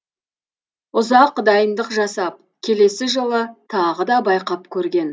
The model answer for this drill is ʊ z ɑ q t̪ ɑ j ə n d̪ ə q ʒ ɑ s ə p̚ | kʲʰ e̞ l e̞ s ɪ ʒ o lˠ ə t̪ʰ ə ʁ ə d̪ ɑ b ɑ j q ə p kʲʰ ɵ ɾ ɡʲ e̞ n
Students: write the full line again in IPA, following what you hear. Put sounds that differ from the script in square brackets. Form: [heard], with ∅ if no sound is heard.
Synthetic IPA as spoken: ʊ z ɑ q [d̪] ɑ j ə n d̪ ə q ʒ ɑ s [ɑ] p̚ | kʲʰ e̞ l e̞ s ɪ ʒ o lˠ ə t̪ʰ [ɑ] ʁ ə d̪ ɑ b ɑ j q [ɑ] p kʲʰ ɵ ɾ ɡʲ e̞ n